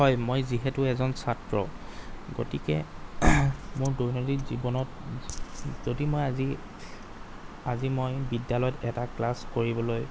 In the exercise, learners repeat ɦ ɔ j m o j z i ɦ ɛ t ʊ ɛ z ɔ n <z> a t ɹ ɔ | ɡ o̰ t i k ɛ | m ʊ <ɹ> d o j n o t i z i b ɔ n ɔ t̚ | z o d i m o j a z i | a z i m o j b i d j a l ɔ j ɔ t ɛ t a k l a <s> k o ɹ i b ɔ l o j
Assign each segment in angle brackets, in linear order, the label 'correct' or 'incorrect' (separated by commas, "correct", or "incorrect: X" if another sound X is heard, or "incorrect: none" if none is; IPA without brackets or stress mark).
incorrect: s, correct, correct